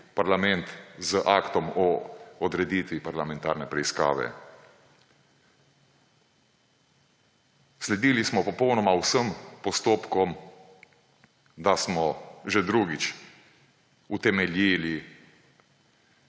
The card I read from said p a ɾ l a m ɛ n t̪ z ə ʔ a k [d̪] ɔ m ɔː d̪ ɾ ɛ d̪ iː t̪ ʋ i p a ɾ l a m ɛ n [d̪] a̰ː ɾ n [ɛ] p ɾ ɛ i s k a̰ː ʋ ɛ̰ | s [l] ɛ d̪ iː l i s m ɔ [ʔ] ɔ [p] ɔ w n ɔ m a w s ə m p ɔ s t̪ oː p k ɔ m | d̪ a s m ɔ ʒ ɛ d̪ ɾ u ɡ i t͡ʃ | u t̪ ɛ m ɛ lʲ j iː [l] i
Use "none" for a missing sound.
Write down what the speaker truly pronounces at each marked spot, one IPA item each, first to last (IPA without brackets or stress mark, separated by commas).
t̪, t̪, ɛ, l, p, p, l